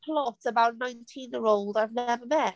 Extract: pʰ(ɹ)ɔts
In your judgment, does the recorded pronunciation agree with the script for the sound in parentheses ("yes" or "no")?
no